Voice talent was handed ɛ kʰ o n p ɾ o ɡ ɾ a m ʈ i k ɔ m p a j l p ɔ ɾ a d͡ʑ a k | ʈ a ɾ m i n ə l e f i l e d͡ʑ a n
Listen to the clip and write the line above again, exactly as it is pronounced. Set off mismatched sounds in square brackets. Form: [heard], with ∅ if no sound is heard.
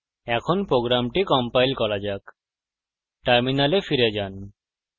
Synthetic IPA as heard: ɛ kʰ o n p ɾ o ɡ ɾ a m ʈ i k ɔ m p a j l [k] ɔ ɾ a d͡ʑ a k | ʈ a ɾ m i n [a] l e f i [ɾ] e d͡ʑ a n